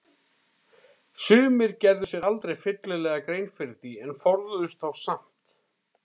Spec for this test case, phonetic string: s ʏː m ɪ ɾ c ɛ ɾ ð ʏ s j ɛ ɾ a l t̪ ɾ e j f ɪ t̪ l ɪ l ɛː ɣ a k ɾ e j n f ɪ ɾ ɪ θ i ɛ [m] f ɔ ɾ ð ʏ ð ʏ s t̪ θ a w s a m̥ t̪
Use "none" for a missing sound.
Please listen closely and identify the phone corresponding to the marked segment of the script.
n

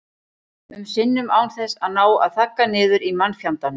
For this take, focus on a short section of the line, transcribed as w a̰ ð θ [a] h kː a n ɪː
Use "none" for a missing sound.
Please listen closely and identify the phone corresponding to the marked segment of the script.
a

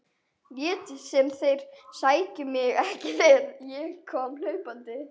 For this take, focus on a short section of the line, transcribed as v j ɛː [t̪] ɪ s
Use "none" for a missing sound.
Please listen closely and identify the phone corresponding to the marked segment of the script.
t̪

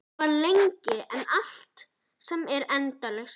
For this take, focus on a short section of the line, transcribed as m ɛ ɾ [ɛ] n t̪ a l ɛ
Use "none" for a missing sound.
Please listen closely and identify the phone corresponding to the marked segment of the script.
ɛ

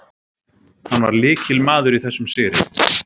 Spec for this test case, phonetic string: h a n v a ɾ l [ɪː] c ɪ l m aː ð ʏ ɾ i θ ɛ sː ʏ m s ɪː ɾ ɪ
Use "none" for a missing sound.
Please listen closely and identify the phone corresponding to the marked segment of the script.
ɪː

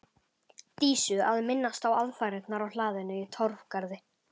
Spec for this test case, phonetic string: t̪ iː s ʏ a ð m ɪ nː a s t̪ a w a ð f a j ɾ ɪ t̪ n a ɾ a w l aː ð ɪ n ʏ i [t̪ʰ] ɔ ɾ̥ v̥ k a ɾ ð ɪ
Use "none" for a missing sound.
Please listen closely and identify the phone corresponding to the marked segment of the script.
t̪ʰ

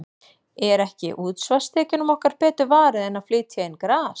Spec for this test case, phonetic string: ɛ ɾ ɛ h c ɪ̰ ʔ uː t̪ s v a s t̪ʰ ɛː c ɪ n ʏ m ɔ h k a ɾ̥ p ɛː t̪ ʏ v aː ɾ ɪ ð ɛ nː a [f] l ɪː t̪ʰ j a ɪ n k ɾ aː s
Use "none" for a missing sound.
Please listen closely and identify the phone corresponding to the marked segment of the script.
f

